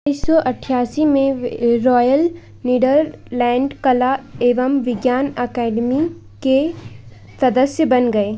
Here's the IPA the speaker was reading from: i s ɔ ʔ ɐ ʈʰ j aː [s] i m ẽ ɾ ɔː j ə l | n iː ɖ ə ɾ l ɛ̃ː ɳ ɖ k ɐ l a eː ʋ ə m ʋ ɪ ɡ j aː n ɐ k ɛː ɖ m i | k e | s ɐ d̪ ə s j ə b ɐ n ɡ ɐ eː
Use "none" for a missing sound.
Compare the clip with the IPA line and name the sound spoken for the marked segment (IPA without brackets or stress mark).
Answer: s